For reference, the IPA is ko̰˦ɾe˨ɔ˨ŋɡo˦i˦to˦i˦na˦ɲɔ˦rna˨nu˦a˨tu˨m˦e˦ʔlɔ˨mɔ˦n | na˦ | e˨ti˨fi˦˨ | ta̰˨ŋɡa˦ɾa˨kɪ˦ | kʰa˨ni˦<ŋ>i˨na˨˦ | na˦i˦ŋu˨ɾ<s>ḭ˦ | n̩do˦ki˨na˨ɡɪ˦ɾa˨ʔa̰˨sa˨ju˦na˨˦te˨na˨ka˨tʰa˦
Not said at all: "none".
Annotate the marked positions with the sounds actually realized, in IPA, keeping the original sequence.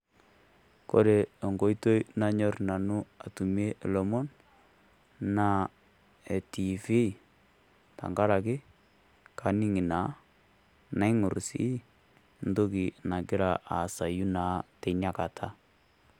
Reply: ŋ, s

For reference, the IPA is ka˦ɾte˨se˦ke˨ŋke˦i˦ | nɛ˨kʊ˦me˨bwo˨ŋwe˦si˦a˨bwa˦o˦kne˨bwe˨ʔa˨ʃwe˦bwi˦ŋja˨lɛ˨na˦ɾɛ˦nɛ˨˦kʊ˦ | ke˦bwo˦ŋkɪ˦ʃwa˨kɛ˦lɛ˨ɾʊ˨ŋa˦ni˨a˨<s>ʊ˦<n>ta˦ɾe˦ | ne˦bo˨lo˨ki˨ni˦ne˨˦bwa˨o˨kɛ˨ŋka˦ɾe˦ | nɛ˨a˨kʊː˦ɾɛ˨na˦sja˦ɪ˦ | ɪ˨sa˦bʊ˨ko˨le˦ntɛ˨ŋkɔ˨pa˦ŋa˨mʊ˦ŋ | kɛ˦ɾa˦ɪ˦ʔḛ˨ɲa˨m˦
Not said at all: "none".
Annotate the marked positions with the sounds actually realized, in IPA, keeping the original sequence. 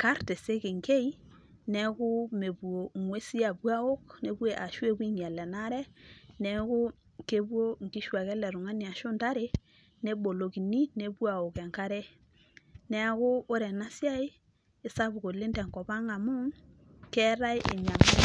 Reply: ʃ, n

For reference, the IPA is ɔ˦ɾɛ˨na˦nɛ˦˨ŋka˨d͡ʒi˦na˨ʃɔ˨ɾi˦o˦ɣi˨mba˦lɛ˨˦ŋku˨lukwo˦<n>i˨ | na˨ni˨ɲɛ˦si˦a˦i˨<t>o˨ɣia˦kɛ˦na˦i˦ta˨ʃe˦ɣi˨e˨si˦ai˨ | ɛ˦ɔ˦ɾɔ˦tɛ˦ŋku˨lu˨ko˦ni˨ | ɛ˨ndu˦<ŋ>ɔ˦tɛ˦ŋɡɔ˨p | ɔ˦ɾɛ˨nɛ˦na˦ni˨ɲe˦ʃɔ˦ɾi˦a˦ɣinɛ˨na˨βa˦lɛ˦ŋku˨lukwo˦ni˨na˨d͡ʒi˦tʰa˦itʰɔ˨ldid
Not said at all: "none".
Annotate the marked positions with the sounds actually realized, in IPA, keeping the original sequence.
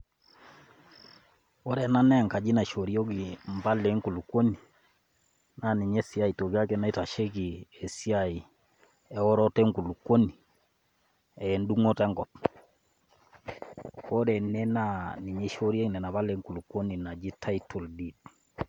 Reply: n, t, ŋ

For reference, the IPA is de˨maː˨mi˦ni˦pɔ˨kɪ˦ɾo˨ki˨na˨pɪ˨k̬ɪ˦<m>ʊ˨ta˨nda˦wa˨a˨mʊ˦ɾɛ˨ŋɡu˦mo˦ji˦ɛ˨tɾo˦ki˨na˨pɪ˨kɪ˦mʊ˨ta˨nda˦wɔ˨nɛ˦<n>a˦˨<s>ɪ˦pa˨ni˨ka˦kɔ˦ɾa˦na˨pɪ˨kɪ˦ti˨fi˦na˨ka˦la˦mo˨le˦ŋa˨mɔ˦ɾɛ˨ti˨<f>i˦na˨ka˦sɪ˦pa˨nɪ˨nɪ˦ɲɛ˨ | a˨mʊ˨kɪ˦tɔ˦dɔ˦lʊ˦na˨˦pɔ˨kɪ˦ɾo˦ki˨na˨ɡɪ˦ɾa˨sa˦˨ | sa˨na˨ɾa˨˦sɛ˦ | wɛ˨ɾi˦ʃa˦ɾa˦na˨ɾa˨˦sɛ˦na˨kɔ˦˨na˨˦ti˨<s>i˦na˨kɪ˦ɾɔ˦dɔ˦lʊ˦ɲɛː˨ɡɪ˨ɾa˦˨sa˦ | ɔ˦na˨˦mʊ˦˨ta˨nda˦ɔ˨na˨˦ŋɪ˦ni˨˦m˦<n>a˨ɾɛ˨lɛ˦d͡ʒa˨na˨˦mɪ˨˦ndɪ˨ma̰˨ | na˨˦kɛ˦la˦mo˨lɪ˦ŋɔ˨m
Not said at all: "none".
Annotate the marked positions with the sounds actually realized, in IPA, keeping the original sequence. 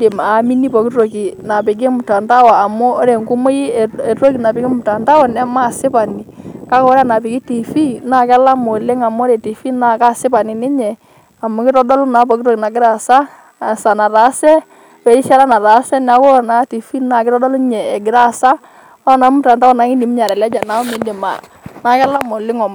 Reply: m, m, s, f, f, ɲ

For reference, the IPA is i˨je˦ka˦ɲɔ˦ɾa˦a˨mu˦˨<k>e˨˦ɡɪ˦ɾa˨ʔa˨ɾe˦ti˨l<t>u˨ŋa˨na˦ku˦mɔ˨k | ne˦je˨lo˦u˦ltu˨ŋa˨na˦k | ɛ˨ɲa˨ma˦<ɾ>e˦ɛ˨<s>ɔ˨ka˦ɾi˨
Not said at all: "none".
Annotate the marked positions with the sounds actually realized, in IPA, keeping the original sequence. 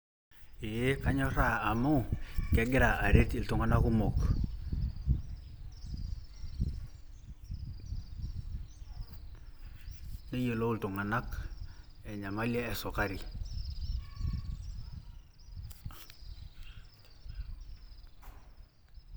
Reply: k, t, l, s

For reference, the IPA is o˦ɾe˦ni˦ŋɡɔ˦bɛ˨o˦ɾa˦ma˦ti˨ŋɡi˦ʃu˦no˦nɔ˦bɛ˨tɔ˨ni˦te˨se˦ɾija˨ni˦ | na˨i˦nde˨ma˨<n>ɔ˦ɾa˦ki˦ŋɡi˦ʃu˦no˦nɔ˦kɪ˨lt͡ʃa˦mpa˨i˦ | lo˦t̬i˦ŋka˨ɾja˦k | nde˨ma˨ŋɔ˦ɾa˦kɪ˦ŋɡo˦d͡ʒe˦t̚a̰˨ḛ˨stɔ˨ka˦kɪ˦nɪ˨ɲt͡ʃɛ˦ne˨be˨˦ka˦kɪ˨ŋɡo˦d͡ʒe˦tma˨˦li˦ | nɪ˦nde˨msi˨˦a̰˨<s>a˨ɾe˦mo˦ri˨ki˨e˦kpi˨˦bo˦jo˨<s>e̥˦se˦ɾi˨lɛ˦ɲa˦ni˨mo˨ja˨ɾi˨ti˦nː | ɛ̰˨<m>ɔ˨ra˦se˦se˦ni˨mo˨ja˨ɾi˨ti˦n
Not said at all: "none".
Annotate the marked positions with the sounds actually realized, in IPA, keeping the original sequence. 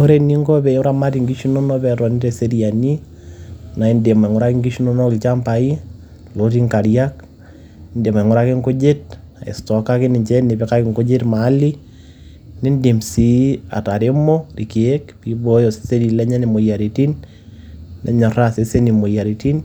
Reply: ŋ, t, s, ɲ

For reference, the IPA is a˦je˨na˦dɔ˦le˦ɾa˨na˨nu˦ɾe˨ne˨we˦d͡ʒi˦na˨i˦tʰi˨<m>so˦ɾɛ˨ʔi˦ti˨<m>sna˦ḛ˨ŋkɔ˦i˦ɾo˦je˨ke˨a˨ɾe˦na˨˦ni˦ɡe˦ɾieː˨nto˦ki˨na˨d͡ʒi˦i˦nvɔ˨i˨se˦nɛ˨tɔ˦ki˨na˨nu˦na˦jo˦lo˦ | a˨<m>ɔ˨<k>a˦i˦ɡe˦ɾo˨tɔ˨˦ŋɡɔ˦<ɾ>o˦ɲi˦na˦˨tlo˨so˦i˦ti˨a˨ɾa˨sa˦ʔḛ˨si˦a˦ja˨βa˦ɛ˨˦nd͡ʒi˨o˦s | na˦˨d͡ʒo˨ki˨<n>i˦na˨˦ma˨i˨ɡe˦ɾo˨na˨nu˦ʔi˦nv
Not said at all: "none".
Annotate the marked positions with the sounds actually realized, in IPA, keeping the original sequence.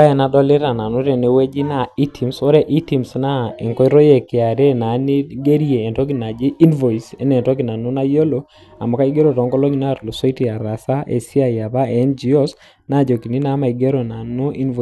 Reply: m, m, m, k, l, n

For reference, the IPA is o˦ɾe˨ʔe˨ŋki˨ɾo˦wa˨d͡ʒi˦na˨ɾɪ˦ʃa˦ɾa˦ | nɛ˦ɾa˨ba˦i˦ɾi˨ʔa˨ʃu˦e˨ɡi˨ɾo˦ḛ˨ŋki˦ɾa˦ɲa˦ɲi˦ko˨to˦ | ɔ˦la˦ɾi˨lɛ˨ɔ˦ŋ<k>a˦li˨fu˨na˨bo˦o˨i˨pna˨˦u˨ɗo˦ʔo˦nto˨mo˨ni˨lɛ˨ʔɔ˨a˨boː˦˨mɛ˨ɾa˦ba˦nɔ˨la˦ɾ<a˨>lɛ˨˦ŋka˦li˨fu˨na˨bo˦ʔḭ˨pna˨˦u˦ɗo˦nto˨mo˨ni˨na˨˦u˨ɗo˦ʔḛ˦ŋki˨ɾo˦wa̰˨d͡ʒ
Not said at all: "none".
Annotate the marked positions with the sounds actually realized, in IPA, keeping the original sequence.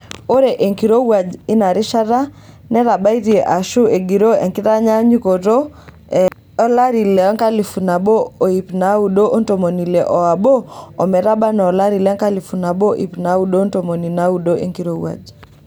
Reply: k, i˨

